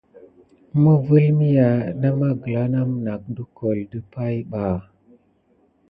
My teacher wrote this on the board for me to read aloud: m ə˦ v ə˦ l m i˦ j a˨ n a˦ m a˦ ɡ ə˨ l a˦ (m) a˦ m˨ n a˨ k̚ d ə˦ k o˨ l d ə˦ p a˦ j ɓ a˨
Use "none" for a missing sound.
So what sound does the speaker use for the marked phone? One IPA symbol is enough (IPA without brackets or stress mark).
n